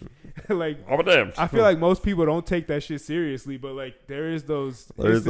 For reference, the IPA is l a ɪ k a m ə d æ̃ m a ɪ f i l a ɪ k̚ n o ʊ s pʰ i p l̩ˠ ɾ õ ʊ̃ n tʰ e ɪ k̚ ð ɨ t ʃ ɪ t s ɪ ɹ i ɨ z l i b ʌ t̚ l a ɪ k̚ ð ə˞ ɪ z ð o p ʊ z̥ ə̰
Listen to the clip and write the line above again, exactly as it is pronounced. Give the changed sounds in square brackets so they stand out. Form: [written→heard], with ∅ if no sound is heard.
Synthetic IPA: l a ɪ k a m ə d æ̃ m a ɪ f i l a ɪ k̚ [n→m] o ʊ s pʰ i p l̩ˠ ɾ õ ʊ̃ n tʰ e ɪ k̚ ð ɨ t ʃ ɪ t s ɪ ɹ i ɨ [z→s] l i b ʌ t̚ l a ɪ k̚ ð ə˞ ɪ z ð o [p→∅] ʊ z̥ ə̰